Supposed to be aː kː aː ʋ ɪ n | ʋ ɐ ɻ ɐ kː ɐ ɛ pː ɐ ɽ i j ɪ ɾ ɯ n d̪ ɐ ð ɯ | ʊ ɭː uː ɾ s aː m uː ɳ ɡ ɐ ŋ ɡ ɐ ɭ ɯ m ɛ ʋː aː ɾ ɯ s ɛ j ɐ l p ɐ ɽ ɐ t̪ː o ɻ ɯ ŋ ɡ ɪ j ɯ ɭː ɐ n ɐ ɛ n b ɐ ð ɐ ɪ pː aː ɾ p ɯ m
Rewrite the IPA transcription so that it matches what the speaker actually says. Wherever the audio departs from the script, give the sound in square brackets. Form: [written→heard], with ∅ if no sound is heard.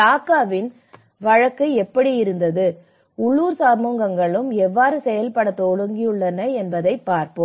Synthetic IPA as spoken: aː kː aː ʋ ɪ n | ʋ ɐ ɻ ɐ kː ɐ ɛ pː ɐ ɽ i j ɪ ɾ ɯ n d̪ ɐ ð ɯ | ʊ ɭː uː ɾ s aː m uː [ɳ→ŋ] ɡ ɐ ŋ ɡ ɐ ɭ ɯ m ɛ ʋː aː ɾ ɯ s ɛ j ɐ l p ɐ ɽ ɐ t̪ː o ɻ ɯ ŋ ɡ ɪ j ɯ ɭː ɐ n ɐ ɛ n b ɐ ð ɐ ɪ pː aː ɾ p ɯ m